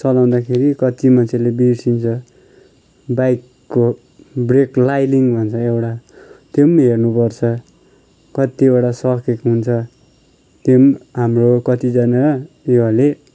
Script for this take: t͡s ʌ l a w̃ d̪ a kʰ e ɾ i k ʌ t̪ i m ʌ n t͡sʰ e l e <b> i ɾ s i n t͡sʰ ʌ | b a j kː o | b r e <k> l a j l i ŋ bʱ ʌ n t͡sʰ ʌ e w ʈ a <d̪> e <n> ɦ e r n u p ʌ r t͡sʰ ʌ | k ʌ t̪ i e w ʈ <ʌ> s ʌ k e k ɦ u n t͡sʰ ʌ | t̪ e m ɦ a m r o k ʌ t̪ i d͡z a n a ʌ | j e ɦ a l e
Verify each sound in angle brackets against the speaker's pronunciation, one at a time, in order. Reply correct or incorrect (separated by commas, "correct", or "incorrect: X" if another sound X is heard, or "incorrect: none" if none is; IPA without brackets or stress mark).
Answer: correct, correct, incorrect: t̪, incorrect: m, incorrect: a